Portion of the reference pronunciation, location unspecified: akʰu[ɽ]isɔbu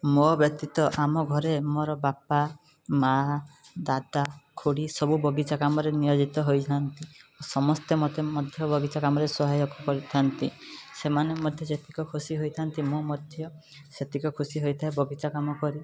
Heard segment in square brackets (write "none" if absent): ɽ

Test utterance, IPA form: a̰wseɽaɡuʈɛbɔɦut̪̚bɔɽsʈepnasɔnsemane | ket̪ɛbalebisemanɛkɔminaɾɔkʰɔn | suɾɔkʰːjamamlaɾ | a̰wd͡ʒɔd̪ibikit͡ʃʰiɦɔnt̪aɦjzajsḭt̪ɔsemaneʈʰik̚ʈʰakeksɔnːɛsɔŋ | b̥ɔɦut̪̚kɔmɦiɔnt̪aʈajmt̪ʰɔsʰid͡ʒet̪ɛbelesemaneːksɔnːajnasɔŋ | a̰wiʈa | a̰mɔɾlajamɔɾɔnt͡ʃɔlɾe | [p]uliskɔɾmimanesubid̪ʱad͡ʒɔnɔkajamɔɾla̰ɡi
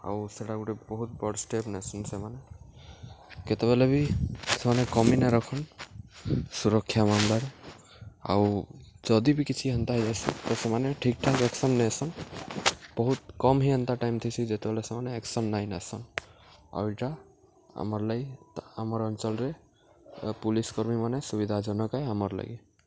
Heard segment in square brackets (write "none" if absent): p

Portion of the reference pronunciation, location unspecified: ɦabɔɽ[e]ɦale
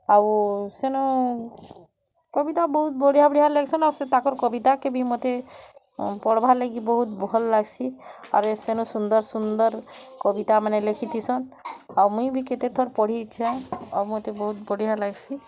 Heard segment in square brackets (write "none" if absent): i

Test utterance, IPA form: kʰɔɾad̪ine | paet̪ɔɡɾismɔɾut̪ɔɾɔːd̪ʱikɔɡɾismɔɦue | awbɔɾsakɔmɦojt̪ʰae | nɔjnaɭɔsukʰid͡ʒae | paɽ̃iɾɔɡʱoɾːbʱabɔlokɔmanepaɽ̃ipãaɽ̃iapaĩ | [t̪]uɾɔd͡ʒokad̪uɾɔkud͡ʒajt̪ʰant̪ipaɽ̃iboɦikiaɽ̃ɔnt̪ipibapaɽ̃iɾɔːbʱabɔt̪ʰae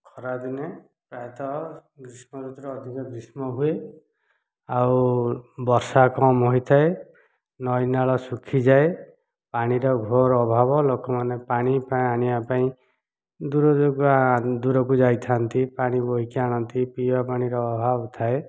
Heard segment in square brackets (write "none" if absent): d̪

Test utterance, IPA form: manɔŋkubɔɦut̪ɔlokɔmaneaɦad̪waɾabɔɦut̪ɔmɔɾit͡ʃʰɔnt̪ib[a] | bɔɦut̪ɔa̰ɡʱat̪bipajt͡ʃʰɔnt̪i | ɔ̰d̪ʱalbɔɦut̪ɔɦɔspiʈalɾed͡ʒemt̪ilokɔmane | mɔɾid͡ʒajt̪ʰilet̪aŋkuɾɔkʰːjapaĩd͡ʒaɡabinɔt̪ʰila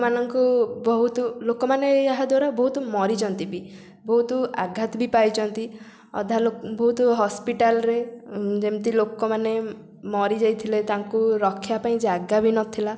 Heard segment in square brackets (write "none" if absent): i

